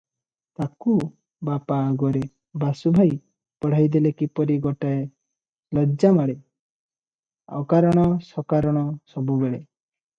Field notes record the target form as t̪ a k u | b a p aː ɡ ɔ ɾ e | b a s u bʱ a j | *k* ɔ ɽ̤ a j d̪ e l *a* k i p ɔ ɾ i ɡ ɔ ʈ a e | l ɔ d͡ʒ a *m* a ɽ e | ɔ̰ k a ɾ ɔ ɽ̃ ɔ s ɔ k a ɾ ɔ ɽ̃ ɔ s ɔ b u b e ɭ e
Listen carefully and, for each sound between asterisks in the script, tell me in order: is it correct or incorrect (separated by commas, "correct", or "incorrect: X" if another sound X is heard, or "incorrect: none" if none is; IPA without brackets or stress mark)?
incorrect: p, incorrect: e, correct